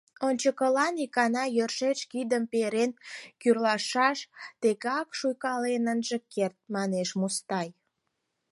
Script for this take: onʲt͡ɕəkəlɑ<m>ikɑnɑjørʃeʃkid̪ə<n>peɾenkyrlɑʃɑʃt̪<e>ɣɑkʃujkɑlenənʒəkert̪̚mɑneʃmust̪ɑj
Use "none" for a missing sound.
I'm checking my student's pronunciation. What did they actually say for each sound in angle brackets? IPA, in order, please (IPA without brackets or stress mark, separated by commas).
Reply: n, m, e